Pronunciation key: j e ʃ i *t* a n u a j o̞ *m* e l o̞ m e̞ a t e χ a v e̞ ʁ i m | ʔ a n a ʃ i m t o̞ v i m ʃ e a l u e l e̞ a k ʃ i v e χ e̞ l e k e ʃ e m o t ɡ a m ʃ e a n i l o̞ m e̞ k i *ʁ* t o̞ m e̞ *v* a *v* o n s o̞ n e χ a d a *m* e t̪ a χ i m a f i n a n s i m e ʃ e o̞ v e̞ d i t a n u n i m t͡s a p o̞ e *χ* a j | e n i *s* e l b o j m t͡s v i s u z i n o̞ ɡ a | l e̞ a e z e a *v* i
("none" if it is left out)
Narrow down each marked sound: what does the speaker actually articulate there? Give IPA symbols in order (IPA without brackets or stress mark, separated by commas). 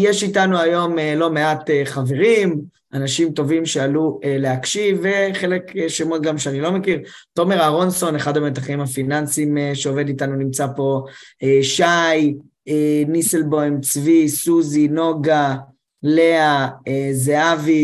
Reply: t, m, ʁ, ʁ, ʁ, m, ʃ, s, v